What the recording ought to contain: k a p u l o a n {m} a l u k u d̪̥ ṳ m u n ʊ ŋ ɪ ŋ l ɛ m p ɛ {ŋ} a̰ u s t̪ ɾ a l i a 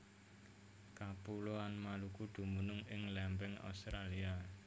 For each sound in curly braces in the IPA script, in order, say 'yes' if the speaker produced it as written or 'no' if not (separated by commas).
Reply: yes, yes